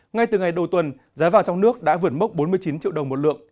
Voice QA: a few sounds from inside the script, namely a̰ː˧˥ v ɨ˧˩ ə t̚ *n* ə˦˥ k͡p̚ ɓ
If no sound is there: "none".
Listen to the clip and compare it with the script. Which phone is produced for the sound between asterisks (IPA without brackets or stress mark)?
m